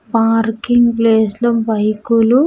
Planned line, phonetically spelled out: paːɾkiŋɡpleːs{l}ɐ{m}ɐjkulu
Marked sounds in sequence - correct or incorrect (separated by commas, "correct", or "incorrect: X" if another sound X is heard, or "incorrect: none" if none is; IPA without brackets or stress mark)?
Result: correct, incorrect: b